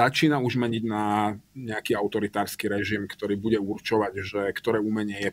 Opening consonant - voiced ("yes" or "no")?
no